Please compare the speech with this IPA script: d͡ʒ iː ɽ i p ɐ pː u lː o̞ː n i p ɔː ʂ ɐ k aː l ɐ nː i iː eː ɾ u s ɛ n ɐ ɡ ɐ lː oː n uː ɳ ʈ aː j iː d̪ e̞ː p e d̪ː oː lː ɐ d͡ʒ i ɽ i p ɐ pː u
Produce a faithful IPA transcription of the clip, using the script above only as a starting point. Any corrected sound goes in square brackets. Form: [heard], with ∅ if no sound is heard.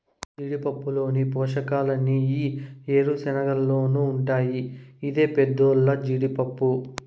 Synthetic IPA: d͡ʒ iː ɽ i p ɐ pː u [l] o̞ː n i p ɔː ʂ ɐ k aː l ɐ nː i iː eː ɾ u s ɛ n ɐ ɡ ɐ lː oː n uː ɳ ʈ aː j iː d̪ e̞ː p e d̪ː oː lː ɐ d͡ʒ i ɽ i p ɐ pː u

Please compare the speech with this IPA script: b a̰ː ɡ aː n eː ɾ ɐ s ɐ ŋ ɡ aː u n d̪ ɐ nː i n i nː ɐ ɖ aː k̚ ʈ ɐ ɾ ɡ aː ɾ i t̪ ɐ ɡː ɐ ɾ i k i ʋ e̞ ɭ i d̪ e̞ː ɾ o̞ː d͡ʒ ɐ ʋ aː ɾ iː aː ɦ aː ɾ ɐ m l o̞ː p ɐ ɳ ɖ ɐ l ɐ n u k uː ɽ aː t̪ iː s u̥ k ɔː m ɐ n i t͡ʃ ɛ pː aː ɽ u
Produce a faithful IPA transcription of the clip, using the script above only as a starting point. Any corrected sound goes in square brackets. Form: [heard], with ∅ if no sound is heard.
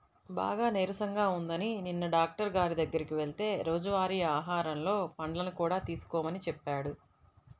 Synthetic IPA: b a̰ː ɡ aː n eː ɾ ɐ s ɐ ŋ ɡ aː u n d̪ ɐ [n] i n i nː ɐ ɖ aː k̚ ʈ ɐ ɾ ɡ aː ɾ i [d̪] ɐ ɡː ɐ ɾ i k i ʋ e̞ ɭ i [t̪] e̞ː ɾ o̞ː d͡ʒ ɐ ʋ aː ɾ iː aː ɦ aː ɾ ɐ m l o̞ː p ɐ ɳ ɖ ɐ l ɐ n u k uː ɽ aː t̪ iː s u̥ k ɔː m ɐ n i t͡ʃ ɛ pː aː ɽ u

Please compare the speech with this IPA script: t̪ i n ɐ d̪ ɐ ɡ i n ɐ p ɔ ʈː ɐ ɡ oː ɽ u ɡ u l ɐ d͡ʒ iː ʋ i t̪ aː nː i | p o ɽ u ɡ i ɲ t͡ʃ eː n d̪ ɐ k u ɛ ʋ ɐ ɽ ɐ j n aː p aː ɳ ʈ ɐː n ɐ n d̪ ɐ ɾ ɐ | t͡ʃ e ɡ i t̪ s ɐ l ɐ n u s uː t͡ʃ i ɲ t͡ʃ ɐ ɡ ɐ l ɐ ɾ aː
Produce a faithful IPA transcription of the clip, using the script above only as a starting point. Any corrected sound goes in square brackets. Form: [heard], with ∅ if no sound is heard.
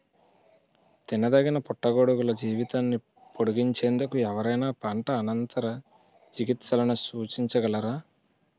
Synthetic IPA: t̪ i n ɐ d̪ ɐ ɡ i n ɐ p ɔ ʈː ɐ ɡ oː ɽ u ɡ u l ɐ d͡ʒ iː ʋ i t̪ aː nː i | p o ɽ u ɡ i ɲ t͡ʃ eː n d̪ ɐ k u ɛ ʋ ɐ [ɾ] ɐ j n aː p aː ɳ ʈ ɐː n ɐ n [t̪] ɐ ɾ ɐ | t͡ʃ [i] ɡ i t̪ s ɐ l ɐ n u s uː t͡ʃ i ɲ t͡ʃ ɐ ɡ ɐ l ɐ ɾ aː

